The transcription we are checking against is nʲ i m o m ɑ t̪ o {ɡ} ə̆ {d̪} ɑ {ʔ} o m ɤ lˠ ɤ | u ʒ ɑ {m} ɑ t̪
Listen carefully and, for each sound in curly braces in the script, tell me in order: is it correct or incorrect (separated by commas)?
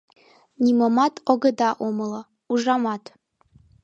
correct, correct, correct, correct